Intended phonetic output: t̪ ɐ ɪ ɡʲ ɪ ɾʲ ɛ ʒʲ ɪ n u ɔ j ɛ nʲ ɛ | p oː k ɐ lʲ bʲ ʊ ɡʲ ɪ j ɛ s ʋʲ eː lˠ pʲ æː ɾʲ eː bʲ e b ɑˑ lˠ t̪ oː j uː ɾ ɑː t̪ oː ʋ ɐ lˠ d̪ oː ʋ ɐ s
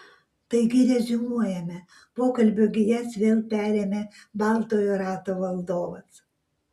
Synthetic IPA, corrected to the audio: t̪ ɐ ɪ ɡʲ ɪ ɾʲ ɛ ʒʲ ɪ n u ɔ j ɛ mʲ ɛ | p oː k ɐ lʲ bʲ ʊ ɡʲ ɪ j ɛ s ʋʲ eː lˠ pʲ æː ɾʲ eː mʲ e b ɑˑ lˠ t̪ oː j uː ɾ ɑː t̪ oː ʋ ɐ lˠ d̪ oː ʋ ɐ s